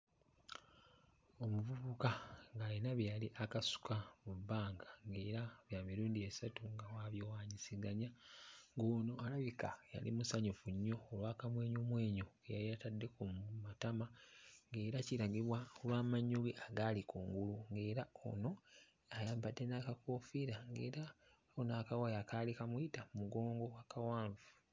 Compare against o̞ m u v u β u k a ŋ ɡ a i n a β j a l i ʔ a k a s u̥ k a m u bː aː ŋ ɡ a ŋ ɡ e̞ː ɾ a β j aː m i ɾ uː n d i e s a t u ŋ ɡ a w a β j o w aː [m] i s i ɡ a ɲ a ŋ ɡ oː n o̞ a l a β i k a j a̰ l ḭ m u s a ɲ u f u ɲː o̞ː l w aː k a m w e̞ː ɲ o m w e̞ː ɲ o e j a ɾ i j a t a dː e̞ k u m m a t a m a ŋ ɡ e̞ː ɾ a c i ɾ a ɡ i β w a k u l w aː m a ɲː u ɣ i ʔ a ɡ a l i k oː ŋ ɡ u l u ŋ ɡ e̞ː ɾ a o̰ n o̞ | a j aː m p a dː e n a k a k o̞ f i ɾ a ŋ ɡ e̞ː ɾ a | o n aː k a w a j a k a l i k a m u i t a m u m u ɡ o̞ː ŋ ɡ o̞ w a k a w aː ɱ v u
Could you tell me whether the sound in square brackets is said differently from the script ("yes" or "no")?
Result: yes